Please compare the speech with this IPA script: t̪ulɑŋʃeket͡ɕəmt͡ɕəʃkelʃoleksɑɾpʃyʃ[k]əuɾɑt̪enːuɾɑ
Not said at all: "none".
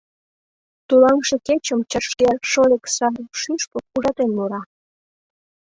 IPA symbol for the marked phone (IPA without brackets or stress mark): p